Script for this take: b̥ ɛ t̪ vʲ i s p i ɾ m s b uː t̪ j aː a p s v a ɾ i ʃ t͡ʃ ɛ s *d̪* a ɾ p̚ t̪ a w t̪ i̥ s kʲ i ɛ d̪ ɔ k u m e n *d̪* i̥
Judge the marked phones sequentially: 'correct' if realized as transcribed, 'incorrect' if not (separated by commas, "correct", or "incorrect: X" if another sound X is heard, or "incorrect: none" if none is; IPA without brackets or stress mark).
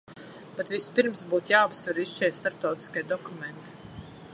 incorrect: t̪, incorrect: t̪